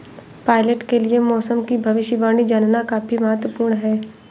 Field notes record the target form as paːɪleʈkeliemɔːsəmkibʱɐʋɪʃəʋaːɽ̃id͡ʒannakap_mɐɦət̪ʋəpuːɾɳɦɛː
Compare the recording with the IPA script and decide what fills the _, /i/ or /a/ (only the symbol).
i